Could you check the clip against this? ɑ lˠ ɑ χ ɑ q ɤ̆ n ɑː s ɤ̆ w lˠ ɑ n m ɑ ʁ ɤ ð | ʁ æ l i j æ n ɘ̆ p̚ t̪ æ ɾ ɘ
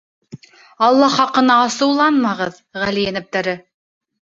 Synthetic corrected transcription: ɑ lˠː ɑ χ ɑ q ɤ̆ n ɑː s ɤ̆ w lˠ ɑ n m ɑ ʁ ɤ ð | ʁ æ l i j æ n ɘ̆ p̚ t̪ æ ɾ ɘ